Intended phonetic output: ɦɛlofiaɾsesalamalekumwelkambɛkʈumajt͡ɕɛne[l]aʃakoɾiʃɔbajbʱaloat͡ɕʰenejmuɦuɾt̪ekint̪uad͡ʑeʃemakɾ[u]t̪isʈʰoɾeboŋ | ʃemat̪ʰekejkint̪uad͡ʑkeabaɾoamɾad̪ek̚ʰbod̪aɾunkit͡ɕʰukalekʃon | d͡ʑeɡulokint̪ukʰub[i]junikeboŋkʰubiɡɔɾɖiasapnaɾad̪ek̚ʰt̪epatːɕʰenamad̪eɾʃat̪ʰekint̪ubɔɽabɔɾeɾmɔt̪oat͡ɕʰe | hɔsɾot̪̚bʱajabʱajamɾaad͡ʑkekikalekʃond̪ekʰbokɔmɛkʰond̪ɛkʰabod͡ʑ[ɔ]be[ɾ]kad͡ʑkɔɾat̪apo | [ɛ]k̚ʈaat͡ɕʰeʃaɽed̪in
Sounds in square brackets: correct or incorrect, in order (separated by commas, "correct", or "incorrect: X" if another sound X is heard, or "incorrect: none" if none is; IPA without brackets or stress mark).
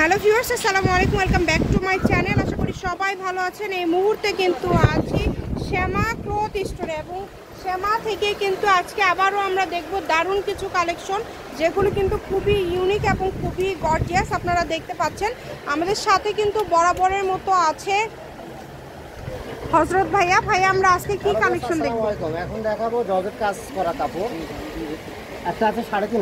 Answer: correct, incorrect: o, correct, correct, correct, correct